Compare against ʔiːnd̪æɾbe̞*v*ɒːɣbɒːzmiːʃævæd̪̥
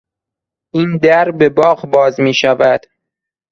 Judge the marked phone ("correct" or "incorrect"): incorrect